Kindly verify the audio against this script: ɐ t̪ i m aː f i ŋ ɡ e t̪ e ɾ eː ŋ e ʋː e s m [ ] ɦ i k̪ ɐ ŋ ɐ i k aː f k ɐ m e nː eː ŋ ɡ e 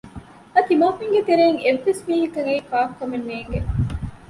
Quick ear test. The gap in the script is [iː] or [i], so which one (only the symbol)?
iː